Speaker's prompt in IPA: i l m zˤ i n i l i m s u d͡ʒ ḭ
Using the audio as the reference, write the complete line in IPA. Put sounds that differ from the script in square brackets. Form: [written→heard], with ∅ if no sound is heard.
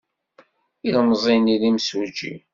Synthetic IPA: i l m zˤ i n i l i m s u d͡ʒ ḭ